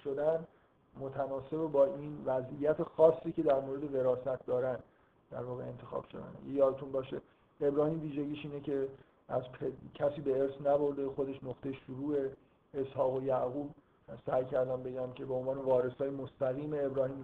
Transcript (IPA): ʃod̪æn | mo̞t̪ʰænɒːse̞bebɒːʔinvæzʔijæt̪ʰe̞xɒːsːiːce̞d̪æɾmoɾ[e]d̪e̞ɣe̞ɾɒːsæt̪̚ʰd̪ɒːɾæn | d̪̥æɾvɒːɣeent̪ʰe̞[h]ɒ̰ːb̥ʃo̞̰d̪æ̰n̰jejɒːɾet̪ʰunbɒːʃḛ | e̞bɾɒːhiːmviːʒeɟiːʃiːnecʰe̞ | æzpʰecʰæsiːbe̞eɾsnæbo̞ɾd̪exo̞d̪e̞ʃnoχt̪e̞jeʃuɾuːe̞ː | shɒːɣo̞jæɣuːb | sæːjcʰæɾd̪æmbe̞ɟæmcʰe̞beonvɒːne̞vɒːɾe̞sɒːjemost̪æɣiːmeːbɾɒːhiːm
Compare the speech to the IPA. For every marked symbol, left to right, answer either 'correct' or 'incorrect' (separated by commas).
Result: correct, incorrect